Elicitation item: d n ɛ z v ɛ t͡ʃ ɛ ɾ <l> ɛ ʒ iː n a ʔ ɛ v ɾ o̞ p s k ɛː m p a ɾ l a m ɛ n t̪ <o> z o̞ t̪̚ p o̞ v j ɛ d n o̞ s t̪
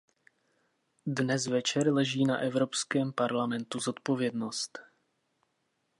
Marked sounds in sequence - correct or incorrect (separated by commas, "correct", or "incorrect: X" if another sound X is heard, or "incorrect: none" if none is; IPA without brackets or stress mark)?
correct, incorrect: u